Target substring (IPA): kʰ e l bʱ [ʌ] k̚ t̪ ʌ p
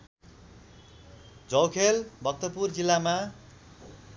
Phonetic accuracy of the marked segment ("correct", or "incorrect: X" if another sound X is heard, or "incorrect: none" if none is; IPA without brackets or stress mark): correct